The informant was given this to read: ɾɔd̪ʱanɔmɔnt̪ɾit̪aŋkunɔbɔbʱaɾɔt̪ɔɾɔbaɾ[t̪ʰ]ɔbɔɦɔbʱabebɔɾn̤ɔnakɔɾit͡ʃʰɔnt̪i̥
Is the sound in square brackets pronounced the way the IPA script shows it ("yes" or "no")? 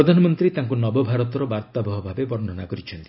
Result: no